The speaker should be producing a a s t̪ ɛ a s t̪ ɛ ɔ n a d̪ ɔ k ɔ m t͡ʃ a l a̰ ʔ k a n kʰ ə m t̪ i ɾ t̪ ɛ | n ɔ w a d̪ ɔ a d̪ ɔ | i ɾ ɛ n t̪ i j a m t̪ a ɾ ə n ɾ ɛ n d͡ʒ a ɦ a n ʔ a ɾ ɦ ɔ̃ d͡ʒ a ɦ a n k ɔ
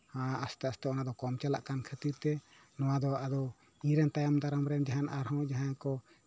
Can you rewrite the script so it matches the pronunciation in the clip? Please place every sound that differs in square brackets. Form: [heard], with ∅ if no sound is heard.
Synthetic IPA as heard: a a s t̪ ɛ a s t̪ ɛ ɔ n a d̪ ɔ k ɔ m t͡ʃ a l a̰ ʔ k a n kʰ ə [∅] t̪ i ɾ t̪ ɛ | n ɔ w a d̪ ɔ a d̪ ɔ | i ɾ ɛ n t̪ [a] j a m [d̪] a ɾ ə [m] ɾ ɛ n d͡ʒ a ɦ a n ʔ a ɾ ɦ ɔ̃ d͡ʒ a ɦ a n k ɔ